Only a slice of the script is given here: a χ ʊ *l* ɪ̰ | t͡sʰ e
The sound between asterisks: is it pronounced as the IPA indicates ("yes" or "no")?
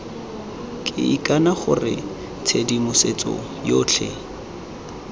no